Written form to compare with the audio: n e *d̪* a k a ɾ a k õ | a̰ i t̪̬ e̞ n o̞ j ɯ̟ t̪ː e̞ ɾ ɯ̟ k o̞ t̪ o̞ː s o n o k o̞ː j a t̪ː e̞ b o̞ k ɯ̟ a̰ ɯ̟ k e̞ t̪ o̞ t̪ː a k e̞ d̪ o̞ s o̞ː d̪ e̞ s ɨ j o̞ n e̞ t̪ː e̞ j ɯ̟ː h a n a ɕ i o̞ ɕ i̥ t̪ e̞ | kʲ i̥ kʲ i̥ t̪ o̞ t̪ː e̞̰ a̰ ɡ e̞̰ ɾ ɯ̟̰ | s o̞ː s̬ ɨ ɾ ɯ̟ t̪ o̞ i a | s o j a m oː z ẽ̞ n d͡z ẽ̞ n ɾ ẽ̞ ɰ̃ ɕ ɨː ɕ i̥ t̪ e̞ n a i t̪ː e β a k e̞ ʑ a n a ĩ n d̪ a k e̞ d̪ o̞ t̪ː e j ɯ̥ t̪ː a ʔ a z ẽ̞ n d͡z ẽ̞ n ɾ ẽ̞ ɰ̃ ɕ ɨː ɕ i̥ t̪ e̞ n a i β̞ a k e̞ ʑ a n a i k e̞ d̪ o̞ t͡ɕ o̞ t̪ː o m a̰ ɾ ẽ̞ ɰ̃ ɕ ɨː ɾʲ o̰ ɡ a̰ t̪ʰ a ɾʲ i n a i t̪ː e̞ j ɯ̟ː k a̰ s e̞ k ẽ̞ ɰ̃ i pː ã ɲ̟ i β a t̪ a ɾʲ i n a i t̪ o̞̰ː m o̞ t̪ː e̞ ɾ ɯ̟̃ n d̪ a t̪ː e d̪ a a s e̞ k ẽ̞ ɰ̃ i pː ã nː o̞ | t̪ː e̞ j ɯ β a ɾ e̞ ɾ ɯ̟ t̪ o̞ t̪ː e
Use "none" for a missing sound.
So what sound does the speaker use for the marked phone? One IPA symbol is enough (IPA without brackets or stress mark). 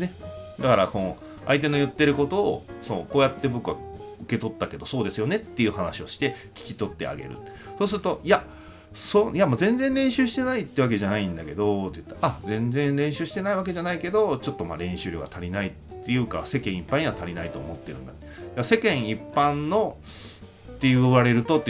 d̪